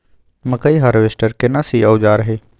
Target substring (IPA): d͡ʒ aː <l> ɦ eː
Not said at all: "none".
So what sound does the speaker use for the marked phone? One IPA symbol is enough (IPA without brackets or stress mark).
ɾ